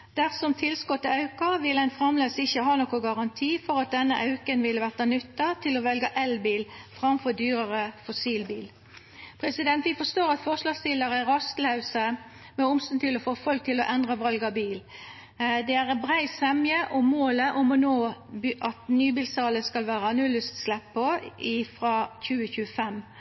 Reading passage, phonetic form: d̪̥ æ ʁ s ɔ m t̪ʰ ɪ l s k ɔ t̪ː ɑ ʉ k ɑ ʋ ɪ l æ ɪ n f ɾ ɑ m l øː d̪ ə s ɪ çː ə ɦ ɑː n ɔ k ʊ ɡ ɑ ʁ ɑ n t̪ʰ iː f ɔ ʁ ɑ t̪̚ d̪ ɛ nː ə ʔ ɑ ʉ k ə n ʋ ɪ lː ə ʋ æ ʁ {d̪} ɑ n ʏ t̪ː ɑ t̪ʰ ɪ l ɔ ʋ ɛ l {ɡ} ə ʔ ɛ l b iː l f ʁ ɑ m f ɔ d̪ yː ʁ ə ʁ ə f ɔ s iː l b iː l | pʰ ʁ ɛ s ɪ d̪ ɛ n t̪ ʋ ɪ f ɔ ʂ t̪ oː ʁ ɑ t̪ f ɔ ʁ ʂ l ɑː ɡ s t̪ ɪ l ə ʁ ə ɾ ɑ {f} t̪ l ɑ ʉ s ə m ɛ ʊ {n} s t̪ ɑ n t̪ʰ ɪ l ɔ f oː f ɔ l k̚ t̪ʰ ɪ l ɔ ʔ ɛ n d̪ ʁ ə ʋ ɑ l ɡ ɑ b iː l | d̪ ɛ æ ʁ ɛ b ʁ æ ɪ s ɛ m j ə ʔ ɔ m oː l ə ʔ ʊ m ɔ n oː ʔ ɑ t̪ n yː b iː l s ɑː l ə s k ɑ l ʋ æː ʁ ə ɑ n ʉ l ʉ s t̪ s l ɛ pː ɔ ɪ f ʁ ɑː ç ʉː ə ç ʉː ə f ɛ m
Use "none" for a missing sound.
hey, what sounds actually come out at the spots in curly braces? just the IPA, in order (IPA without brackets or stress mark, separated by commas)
t̪, ɡ, s, m